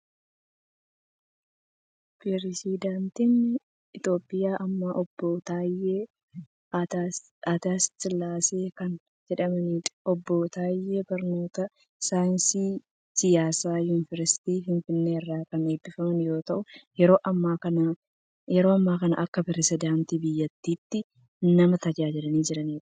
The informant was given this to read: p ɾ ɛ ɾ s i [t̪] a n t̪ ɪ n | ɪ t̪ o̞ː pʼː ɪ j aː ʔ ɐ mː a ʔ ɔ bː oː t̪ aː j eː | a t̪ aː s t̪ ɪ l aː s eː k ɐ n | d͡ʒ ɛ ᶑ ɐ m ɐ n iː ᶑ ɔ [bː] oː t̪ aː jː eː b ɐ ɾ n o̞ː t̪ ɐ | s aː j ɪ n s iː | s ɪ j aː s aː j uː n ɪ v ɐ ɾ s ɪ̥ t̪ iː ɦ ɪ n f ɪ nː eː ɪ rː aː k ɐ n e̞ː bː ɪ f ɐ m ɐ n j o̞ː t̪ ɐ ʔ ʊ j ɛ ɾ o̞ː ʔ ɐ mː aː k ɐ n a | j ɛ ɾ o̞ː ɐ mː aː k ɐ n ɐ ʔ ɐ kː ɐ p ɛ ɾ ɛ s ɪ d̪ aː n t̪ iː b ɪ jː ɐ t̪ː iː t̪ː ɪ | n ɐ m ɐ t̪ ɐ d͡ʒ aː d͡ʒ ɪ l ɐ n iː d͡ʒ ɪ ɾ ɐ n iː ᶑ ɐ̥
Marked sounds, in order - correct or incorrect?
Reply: incorrect: d̪, correct

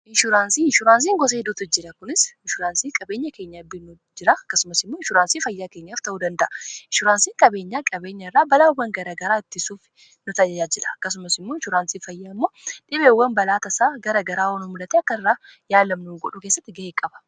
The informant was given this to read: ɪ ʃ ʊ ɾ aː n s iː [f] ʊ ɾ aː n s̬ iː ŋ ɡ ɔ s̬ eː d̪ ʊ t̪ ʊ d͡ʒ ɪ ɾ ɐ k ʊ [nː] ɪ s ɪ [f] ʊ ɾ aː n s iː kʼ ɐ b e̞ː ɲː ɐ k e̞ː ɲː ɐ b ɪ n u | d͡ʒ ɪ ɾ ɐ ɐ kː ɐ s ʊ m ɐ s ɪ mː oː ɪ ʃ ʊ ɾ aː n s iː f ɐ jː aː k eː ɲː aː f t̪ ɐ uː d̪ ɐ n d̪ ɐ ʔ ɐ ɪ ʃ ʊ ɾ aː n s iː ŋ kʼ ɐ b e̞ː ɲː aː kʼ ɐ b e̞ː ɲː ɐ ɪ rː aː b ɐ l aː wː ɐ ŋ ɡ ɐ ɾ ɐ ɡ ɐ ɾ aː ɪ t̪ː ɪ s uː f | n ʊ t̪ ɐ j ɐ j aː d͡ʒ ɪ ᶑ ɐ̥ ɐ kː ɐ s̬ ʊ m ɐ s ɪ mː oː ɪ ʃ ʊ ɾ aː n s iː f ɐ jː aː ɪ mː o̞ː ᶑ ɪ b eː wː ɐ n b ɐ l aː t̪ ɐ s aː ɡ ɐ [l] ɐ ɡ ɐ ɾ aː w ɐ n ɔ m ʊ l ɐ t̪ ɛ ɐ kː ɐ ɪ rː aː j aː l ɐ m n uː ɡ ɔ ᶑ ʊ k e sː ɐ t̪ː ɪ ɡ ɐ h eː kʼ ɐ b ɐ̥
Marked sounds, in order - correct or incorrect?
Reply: incorrect: ʃ, incorrect: n, incorrect: ʃ, incorrect: ɾ

